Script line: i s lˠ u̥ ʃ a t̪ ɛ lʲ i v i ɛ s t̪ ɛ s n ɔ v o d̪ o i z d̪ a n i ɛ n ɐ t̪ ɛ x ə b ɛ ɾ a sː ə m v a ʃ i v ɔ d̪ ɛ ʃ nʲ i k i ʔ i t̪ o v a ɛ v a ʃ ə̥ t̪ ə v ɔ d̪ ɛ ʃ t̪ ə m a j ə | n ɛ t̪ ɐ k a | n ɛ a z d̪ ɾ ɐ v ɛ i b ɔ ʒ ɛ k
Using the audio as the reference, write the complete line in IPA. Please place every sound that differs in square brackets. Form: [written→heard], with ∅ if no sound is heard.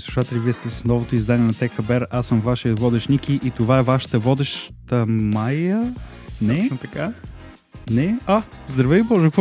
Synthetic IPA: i s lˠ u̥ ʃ a t̪ ɛ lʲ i v i ɛ s t̪ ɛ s n ɔ v o [d̪→t̪] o i z d̪ a n i ɛ n ɐ t̪ ɛ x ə b ɛ ɾ a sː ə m v a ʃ i v ɔ d̪ ɛ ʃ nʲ i k i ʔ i t̪ o v a ɛ v a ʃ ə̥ t̪ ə v ɔ d̪ ɛ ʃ t̪ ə m a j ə | n ɛ t̪ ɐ k a | n ɛ a z d̪ ɾ ɐ v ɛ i b ɔ ʒ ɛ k